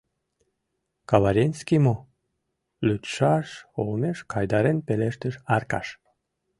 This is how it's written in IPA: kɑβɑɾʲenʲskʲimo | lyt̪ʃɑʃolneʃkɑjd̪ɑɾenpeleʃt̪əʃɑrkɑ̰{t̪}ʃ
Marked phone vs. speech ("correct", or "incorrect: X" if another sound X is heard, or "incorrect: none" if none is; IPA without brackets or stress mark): incorrect: none